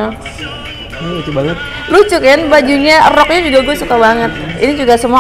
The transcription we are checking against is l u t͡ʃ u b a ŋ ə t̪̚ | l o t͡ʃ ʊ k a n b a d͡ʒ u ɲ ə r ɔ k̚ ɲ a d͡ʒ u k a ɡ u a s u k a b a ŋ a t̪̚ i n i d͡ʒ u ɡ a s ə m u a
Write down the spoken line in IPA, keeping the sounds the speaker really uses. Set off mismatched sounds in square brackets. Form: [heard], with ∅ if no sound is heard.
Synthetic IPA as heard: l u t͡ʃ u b a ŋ ə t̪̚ | l [u] t͡ʃ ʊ k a n b a d͡ʒ u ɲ [a] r ɔ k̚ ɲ a d͡ʒ u [ɡ] a ɡ u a s u k a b a ŋ [ə] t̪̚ i n i d͡ʒ u ɡ a s ə m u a